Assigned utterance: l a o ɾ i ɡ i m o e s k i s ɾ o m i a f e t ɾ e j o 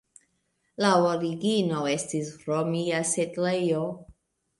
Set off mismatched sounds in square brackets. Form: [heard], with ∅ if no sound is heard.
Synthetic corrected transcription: l a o ɾ i ɡ i [n] o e s [t] i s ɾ o m i a [s] e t [l] e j o